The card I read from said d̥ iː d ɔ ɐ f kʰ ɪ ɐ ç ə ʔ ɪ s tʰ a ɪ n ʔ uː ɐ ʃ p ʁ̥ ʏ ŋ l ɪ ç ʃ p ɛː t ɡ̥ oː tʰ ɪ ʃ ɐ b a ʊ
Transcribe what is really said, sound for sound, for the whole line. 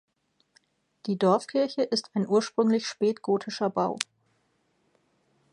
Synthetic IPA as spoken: d̥ iː d ɔ ɐ f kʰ ɪ ɐ ç ə ʔ ɪ s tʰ a ɪ n ʔ uː ɐ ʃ p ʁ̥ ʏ ŋ l ɪ ç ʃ p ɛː t ɡ̥ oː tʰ ɪ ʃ ɐ b a ʊ